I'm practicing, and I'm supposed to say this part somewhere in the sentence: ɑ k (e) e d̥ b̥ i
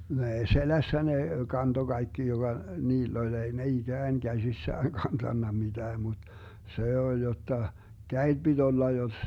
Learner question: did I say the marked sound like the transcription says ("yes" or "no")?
no